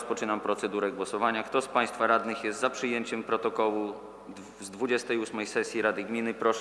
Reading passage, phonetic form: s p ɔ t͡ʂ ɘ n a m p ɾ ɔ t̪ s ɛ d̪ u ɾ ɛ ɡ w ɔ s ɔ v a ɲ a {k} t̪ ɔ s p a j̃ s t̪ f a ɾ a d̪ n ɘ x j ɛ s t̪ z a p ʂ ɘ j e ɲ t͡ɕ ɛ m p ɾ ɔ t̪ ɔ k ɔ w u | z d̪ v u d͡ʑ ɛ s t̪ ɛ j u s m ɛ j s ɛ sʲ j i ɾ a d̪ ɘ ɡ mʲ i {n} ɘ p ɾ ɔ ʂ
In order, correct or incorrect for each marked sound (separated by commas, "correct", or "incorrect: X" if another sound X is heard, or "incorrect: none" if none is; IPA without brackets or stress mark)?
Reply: correct, correct